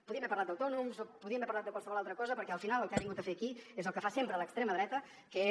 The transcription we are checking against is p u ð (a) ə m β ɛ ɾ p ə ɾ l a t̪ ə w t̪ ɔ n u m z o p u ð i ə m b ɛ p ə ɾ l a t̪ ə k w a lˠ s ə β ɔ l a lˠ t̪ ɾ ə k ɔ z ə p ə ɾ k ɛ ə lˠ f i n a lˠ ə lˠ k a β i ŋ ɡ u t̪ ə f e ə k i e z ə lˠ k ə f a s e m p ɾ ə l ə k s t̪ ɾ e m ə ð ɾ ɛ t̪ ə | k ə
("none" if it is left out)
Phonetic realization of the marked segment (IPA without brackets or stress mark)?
i